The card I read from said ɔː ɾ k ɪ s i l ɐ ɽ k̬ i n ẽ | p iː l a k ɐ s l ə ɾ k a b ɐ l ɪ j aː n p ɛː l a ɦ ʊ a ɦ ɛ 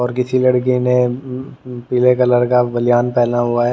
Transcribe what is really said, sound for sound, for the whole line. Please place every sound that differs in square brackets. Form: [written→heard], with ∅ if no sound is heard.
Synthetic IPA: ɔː ɾ k ɪ s i l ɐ ɽ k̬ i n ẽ | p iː l [a→e] k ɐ [s→∅] l ə ɾ k a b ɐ l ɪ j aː n p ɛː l a ɦ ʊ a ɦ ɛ